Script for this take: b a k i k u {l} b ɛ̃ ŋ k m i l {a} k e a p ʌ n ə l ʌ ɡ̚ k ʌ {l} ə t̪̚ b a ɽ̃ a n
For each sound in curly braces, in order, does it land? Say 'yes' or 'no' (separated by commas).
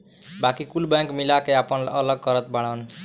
yes, yes, no